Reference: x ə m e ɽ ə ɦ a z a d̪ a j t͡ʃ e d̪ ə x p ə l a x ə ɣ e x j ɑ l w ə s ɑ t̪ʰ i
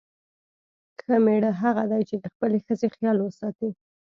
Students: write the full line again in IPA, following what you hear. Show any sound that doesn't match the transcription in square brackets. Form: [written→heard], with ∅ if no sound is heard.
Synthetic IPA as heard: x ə m e ɽ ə ɦ a [z→ɣ] a d̪ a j t͡ʃ e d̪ ə x p ə l [a→e] x ə [ɣ→z] e x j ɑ l w ə s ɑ [t̪ʰ→t̪] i